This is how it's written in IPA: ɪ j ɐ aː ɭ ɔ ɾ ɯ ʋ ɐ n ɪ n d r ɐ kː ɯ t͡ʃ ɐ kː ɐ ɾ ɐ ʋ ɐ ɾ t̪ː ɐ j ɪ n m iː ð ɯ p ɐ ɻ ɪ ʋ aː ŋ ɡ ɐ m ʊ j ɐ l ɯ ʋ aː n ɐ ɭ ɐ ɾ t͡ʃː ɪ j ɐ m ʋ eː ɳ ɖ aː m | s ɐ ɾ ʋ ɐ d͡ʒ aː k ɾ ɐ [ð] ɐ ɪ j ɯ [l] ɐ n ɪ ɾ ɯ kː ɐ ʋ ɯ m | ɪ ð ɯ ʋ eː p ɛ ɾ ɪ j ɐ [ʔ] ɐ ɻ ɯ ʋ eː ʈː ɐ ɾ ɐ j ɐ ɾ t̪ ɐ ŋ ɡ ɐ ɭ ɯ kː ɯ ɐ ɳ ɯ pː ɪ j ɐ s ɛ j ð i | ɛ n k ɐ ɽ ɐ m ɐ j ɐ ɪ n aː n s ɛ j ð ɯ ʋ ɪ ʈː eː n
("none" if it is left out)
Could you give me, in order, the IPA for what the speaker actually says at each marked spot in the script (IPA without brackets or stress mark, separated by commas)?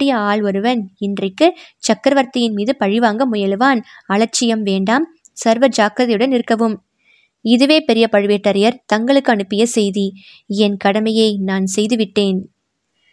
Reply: ð, ɽ, p